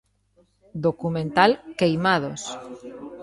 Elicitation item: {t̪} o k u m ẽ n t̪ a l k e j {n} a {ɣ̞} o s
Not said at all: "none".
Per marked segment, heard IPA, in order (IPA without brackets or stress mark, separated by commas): d̪, m, ð̞